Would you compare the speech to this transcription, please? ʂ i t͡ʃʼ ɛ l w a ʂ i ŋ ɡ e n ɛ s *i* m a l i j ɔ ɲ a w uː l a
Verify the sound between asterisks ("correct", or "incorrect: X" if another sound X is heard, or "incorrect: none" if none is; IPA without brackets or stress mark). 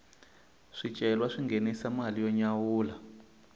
incorrect: a